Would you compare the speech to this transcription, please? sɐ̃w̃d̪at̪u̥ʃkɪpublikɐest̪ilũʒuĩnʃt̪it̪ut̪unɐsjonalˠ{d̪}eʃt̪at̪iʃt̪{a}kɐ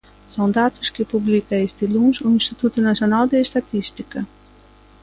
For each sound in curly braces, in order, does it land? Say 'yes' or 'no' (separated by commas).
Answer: yes, no